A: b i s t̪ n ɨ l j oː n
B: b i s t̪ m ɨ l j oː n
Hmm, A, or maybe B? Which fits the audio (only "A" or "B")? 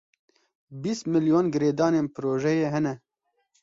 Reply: B